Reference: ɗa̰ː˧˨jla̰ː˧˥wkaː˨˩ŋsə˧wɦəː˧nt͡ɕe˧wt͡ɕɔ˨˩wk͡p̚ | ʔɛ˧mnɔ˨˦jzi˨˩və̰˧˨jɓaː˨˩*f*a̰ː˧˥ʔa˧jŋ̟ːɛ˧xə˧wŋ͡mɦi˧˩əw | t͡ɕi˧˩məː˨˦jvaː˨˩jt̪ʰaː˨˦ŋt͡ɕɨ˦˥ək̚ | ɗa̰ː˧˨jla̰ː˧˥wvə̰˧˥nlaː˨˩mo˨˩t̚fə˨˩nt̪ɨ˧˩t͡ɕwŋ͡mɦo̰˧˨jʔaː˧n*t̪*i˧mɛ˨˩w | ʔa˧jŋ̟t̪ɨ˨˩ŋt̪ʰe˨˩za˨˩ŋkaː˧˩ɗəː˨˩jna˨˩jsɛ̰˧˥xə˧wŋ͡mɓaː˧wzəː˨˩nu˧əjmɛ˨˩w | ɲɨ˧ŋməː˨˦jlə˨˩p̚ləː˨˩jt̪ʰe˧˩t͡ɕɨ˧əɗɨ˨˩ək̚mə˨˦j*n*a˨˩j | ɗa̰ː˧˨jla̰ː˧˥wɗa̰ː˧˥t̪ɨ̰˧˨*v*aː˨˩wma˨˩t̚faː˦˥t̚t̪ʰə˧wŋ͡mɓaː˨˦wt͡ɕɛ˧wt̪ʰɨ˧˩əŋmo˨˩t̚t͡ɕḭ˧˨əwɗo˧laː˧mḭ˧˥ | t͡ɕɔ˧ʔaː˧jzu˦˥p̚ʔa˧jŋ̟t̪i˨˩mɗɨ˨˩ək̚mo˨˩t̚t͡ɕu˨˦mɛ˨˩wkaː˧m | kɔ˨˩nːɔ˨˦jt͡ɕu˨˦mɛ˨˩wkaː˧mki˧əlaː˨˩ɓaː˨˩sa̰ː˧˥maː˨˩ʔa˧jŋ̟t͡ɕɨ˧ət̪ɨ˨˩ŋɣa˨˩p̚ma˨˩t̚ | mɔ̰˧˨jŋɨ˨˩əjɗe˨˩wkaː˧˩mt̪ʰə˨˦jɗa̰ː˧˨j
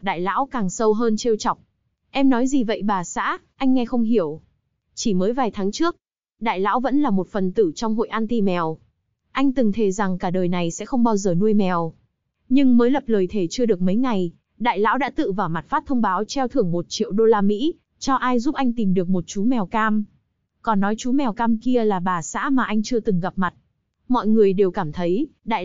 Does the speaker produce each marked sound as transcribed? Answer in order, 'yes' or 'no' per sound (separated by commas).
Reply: no, yes, no, yes